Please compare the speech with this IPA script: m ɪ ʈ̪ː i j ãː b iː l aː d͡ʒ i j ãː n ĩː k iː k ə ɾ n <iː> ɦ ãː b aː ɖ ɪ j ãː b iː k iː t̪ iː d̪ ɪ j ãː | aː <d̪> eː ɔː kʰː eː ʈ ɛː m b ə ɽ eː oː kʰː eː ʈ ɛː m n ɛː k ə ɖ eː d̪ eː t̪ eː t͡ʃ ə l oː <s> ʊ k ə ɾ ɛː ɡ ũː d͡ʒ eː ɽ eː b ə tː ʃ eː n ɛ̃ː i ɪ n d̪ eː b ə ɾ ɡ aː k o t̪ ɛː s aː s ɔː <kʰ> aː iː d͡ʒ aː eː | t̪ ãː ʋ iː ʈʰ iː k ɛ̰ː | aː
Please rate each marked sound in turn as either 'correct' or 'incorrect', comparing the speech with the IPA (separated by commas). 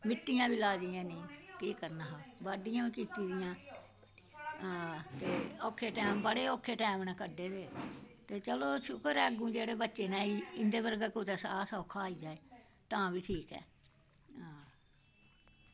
incorrect, incorrect, incorrect, correct